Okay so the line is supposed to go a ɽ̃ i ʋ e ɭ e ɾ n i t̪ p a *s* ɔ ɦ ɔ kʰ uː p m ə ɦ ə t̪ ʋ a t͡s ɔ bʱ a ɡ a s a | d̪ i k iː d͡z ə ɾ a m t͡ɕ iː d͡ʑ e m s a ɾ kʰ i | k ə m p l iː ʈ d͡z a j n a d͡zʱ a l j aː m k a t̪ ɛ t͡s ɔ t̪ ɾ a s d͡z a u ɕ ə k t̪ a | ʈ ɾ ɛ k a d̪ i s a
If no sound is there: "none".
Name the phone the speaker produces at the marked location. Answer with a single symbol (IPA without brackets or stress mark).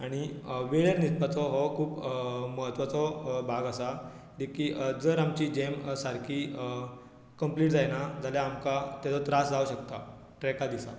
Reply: t͡s